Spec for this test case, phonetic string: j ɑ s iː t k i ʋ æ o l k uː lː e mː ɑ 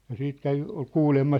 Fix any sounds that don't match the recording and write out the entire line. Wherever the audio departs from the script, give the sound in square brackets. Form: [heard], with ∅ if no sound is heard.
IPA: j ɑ s iː t k [æ] ʋ [i] o l k uː [l] e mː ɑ